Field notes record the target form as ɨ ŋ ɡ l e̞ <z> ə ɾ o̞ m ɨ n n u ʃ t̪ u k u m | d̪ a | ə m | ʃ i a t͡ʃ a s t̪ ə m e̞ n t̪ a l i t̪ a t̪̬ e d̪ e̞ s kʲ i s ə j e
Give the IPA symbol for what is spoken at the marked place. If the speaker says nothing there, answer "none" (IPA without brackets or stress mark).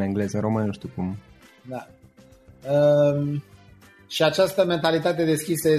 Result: z